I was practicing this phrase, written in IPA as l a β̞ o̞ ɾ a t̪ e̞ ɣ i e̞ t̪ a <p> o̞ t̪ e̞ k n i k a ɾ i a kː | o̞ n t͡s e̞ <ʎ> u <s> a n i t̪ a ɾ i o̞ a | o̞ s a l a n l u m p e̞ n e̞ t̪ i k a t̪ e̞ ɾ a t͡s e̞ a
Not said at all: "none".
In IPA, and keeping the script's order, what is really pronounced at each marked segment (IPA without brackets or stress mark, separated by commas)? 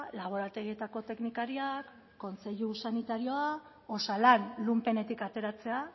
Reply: k, ʎ, s